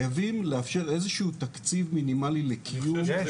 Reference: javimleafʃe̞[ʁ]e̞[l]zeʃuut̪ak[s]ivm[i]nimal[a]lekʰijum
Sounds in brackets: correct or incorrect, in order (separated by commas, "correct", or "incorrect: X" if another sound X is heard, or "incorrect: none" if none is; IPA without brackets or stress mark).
correct, incorrect: none, incorrect: t͡s, correct, incorrect: i